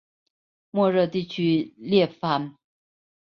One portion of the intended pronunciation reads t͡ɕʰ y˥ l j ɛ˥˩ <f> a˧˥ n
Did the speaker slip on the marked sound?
no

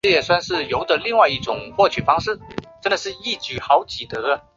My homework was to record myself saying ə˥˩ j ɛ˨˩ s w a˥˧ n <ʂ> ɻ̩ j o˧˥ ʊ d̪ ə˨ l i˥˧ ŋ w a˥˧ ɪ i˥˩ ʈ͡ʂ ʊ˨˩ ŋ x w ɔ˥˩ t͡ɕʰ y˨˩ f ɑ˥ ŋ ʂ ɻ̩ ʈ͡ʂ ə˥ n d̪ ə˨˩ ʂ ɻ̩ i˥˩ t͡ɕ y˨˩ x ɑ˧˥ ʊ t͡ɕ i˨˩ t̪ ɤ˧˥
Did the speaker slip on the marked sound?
no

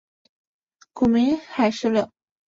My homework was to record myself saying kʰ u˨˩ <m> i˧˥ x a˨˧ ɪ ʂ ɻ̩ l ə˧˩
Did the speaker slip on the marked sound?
no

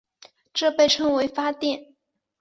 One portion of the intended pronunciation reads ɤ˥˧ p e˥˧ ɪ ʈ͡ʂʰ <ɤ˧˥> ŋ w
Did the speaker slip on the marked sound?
yes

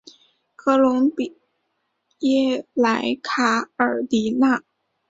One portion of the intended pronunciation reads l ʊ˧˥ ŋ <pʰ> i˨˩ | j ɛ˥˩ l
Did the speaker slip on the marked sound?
yes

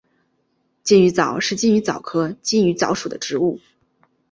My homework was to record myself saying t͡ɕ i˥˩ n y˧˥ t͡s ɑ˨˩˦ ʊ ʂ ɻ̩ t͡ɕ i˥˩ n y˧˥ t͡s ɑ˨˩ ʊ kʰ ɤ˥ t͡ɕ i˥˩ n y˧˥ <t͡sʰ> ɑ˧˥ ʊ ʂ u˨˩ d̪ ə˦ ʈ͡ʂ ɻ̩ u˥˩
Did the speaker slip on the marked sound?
yes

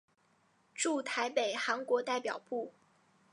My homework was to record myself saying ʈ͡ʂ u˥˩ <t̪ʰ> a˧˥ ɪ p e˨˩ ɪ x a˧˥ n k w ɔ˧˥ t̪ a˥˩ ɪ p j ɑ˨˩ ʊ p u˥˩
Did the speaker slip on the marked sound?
no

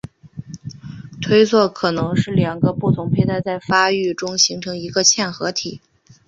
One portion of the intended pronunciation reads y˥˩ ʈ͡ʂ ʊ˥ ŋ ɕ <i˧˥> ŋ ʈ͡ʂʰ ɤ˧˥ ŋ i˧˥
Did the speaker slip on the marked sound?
no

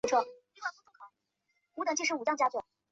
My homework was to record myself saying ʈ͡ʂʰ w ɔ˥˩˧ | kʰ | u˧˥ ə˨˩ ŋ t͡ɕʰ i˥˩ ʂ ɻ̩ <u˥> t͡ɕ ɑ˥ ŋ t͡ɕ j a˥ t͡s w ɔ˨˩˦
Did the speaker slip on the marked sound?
yes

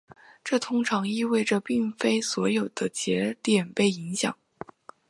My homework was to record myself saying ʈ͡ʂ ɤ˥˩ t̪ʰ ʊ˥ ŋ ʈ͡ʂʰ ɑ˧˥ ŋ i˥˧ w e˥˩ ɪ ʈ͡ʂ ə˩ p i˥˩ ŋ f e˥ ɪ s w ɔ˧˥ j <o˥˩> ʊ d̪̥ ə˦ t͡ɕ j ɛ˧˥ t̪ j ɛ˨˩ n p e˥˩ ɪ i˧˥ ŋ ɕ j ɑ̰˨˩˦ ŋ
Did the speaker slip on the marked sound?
yes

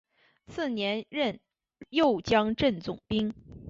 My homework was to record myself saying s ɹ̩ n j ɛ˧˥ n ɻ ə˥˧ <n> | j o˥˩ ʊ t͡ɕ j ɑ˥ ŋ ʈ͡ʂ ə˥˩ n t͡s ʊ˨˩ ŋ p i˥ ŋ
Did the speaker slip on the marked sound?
no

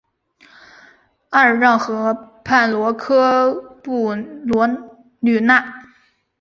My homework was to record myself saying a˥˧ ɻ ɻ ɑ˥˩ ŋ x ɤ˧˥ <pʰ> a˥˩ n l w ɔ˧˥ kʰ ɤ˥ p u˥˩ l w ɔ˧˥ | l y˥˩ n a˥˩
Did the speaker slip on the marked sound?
no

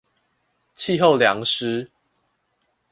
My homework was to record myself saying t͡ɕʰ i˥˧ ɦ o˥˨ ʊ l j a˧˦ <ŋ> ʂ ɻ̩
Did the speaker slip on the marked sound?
no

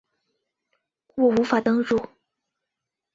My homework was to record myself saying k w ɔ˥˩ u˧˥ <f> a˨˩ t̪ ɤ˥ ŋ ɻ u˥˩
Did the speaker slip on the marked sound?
no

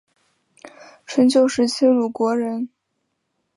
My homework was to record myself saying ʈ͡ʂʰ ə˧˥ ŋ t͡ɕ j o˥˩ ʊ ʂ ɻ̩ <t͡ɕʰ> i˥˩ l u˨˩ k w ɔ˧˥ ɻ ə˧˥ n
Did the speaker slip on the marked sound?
no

